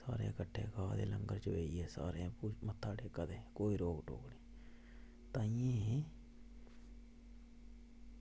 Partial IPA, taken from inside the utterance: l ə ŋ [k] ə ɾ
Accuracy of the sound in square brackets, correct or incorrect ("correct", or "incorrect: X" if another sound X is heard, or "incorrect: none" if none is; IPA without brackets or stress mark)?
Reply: incorrect: ɡ